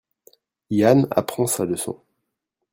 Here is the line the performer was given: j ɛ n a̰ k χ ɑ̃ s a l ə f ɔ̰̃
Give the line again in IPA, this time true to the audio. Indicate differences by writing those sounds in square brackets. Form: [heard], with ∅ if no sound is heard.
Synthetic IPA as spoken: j [a] n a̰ [p] χ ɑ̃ s a l ə [s] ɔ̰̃